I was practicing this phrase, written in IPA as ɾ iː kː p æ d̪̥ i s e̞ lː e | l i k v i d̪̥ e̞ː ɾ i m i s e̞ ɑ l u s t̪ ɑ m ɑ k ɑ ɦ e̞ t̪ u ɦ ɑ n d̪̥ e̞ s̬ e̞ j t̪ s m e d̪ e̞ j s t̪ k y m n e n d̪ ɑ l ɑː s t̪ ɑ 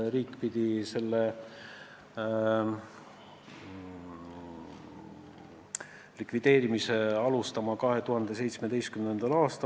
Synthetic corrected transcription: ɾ iː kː p i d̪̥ i s e̞ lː e | l i k v i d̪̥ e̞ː ɾ i m i s e̞ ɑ l u s t̪ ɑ m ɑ k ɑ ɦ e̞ t̪ u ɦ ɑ n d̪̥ e̞ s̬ e̞ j t̪ s m e d̪ e̞ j s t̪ k y m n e n d̪ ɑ l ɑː s t̪ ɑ